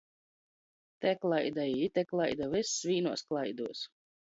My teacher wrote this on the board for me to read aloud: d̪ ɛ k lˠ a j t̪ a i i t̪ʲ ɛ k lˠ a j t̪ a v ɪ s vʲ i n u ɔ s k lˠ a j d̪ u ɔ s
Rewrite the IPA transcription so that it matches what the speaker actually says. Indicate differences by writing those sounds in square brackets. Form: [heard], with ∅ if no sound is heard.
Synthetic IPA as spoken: [t̪] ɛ k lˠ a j [d̪] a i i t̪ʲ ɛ k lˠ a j [d̪] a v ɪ s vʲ [iː] n u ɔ s k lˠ a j d̪ u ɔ s